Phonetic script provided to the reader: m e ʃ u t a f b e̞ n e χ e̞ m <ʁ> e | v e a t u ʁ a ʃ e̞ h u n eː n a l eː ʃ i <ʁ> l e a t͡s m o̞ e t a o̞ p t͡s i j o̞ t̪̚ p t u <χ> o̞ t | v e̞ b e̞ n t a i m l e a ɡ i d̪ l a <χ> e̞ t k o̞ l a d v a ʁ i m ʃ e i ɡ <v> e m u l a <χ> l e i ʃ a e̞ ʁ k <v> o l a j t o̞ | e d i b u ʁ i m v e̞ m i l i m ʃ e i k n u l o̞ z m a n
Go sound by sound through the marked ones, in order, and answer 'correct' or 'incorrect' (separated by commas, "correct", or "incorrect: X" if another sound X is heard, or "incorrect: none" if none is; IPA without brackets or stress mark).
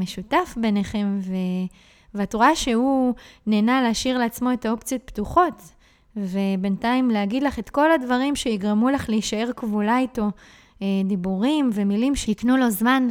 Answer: incorrect: v, correct, correct, correct, incorrect: ʁ, correct, correct